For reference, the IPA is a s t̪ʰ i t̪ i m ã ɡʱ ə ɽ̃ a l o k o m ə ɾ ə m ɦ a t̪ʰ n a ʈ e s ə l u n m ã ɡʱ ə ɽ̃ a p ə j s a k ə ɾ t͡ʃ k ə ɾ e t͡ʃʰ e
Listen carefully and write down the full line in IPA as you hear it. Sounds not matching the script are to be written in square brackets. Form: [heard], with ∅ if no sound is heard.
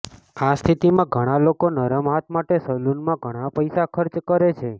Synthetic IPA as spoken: a s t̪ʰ i t̪ i m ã ɡʱ ə ɽ̃ a l o k o [n] ə ɾ ə m ɦ a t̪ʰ [m] a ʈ e s ə l u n m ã ɡʱ ə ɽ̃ a p ə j s a [kʰ] ə ɾ t͡ʃ k ə ɾ e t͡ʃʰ e